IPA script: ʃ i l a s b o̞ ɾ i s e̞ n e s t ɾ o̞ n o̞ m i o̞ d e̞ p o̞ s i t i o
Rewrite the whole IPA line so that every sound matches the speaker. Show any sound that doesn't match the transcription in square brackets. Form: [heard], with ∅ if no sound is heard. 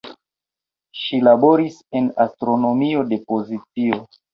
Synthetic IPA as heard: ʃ i l a [∅] b o̞ ɾ i s e̞ n [a] s t ɾ o̞ n o̞ m i o̞ d e̞ p o̞ [z] i [t͡s] i o